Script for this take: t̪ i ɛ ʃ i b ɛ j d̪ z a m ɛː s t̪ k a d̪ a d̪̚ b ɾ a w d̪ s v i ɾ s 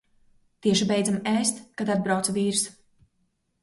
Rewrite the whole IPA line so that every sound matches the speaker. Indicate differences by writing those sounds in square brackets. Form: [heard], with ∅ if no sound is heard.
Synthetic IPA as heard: t̪ i ɛ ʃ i b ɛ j d̪ z a m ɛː s t̪ k a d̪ a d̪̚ b ɾ a w [t̪] s v [iː] ɾ s